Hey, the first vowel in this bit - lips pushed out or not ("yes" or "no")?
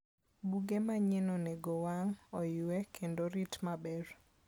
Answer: yes